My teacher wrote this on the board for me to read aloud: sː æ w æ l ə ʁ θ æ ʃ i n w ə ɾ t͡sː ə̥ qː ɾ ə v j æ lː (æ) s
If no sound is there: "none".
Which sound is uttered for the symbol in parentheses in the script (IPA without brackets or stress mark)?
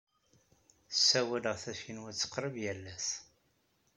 æ